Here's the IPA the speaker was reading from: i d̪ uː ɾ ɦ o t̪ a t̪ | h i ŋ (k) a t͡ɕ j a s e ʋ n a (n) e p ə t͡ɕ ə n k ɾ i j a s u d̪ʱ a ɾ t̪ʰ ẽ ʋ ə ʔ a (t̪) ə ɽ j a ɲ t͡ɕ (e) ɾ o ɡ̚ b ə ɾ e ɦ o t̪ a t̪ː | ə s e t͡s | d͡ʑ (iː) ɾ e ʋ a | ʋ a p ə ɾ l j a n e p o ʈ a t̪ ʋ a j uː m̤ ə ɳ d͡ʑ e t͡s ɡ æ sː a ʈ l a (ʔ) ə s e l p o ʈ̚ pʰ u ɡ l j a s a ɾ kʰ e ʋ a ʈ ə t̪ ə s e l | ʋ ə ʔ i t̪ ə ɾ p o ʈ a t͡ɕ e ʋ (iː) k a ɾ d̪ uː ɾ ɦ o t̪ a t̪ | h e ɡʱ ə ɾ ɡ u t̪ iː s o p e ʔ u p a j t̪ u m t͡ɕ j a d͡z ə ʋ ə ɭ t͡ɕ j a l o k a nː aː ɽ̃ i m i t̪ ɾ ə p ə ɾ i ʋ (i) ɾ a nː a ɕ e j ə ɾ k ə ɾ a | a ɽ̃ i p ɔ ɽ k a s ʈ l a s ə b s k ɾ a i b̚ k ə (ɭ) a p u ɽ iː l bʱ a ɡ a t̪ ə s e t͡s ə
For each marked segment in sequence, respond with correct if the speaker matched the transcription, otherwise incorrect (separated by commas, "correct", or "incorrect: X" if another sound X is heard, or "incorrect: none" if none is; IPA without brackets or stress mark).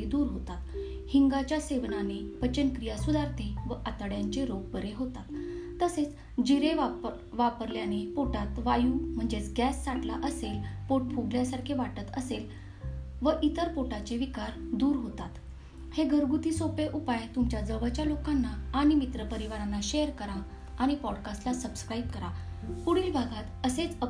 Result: incorrect: ɡ, correct, correct, correct, incorrect: i, correct, incorrect: i, incorrect: a, incorrect: ɾ